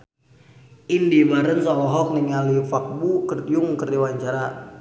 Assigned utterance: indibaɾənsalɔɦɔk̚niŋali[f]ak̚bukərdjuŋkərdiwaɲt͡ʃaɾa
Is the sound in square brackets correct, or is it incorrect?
correct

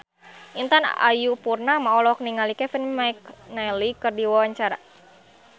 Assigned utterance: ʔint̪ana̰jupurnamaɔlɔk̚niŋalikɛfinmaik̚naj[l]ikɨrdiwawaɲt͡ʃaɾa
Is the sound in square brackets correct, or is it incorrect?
correct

